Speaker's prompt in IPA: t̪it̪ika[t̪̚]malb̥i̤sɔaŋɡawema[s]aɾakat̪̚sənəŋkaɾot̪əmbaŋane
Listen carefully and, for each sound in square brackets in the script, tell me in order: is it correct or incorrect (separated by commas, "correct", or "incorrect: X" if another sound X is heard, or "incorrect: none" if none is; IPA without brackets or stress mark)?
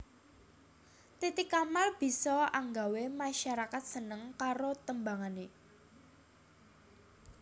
incorrect: none, incorrect: ʃ